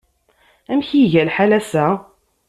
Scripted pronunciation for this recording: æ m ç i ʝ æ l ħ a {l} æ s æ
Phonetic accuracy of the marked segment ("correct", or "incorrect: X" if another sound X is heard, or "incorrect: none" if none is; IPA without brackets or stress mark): correct